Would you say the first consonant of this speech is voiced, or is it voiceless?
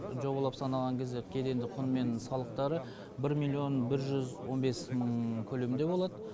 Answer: voiced